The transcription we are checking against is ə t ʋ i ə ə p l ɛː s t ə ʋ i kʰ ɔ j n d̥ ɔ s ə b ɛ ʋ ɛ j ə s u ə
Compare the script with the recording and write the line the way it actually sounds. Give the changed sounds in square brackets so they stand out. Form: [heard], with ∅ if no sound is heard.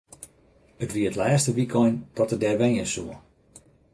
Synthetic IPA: ə t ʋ i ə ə [t] l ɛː s t ə ʋ i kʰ ɔ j n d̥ ɔ [t] ə [d] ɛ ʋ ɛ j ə s u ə